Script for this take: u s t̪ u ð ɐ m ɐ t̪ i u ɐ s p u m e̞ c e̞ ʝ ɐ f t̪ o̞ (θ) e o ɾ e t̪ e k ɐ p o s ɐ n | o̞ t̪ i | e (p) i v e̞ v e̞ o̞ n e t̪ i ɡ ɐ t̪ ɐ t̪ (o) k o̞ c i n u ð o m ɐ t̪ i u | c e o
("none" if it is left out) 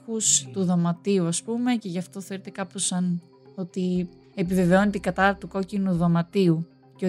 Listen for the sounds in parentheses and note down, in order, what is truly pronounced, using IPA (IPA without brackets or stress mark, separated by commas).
θ, p, u